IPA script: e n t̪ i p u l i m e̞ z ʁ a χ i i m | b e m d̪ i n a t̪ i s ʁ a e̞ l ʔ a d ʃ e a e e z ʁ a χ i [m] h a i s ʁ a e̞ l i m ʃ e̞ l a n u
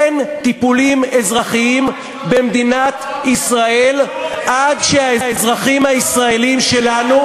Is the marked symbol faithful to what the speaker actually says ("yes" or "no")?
yes